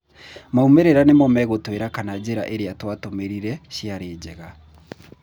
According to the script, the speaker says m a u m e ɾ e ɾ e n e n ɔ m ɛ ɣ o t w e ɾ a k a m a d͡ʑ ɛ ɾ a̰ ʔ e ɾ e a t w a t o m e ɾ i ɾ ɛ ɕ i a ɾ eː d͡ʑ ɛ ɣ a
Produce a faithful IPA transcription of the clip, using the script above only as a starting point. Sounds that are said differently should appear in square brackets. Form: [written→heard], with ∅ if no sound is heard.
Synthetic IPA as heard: m a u m e ɾ e ɾ [e→a] n e [n→m] ɔ m ɛ ɣ o t w e ɾ a k a [m→n] a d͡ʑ [ɛ→e] ɾ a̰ ʔ e ɾ e a t w a t o m e ɾ i ɾ ɛ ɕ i a ɾ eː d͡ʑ ɛ ɣ a

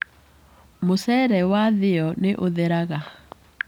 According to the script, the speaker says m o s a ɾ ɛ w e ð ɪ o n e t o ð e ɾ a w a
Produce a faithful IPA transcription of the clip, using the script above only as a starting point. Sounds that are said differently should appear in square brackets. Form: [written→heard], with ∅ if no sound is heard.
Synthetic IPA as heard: m o s [a→ɛ] ɾ ɛ w [e→a] ð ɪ [o→ɔ] n e [t→ʔ] o ð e ɾ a [w→ɣ] a

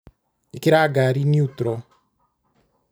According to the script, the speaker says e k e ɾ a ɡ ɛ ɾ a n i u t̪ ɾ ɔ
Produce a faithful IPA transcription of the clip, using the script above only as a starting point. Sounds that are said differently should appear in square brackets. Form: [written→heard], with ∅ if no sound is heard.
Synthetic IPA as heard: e k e ɾ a ɡ [ɛ→a] ɾ [a→i] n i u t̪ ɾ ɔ

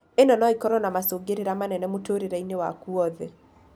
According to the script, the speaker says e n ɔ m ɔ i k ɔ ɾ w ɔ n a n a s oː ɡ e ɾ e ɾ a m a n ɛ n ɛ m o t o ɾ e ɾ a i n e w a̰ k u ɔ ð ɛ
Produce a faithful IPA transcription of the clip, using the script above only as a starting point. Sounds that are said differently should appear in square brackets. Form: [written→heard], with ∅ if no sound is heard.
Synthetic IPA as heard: e n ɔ [m→n] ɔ i k ɔ ɾ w ɔ n a [n→m] a s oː ɡ e ɾ e ɾ a m a n ɛ n ɛ m o t o ɾ e ɾ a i n e w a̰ k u ɔ ð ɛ

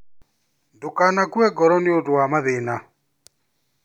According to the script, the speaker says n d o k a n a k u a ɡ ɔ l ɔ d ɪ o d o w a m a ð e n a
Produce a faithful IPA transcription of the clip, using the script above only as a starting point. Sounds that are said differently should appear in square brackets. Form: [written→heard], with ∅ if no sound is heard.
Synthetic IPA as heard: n d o k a n a k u [a→ɛ] ɡ ɔ [l→ɾ] ɔ [d→n] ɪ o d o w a m a ð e n a

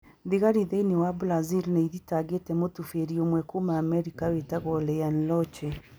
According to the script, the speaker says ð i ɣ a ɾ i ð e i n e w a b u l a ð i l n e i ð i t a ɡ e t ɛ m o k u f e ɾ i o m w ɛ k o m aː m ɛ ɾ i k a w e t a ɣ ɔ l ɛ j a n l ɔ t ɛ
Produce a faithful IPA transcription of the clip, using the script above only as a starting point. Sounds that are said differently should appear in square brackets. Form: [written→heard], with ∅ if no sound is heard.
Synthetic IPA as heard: ð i ɣ a ɾ i ð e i n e w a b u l a [ð→z] i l n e i ð i t a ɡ e t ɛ m o [k→t] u f e ɾ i o m w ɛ k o m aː m ɛ ɾ i k a w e t a ɣ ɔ l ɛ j a n l ɔ [t→t͡ʃ] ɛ

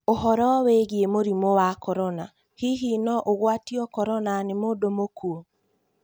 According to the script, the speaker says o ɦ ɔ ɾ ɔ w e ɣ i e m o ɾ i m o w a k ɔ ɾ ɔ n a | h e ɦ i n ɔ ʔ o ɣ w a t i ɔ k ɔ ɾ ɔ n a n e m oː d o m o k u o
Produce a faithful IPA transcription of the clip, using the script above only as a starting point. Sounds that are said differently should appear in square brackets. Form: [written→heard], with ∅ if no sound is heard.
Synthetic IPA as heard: o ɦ ɔ ɾ ɔ w e ɣ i e m o ɾ i m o w a k ɔ ɾ ɔ n a | h [e→i] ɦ i n ɔ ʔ o ɣ w a t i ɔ k ɔ ɾ ɔ n a n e m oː d o m o k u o

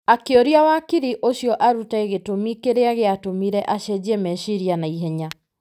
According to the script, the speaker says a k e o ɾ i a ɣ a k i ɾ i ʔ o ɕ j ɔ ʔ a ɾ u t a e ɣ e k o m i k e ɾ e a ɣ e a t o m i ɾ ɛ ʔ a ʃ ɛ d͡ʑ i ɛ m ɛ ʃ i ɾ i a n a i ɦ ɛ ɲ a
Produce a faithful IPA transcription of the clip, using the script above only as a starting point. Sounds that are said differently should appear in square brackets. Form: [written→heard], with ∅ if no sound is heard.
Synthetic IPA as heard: a k e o ɾ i a [ɣ→w] a k i ɾ i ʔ o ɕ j ɔ ʔ a ɾ u t a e ɣ e [k→t] o m i k e ɾ e a ɣ e a t o m i ɾ ɛ ʔ a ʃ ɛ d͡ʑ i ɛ m ɛ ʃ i ɾ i a n a i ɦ ɛ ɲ a

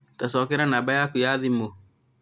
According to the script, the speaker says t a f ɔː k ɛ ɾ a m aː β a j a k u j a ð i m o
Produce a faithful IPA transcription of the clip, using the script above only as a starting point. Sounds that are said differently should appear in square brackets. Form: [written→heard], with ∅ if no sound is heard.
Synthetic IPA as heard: t a [f→s] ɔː k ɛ ɾ a [m→n] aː [β→b] a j a k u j a ð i m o

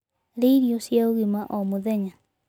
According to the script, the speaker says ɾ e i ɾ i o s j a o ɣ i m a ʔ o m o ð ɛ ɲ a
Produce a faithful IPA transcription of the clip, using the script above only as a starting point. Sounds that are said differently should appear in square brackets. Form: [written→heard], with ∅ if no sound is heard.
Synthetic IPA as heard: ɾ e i ɾ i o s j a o ɣ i m a ʔ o m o ð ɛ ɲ a

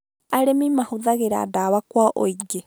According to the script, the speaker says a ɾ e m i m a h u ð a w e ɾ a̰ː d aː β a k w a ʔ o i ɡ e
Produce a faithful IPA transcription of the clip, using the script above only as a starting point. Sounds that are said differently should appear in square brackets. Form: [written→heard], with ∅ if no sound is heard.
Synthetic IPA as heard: a ɾ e m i m a h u ð a [w→ɣ] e ɾ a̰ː d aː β a k w a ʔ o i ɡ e

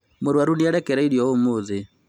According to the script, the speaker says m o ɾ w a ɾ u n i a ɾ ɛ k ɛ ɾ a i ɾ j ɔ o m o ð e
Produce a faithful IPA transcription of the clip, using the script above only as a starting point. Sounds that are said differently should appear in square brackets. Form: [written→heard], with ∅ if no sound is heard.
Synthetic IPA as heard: m o ɾ w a ɾ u n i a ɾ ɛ k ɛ ɾ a i ɾ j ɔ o m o ð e

